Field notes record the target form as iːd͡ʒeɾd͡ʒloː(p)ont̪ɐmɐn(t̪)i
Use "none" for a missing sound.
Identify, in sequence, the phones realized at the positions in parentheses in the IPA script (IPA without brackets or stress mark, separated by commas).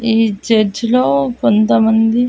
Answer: k, d̪